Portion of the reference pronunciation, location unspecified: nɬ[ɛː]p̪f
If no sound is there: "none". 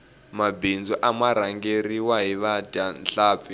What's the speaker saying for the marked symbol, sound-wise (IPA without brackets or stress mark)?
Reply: aː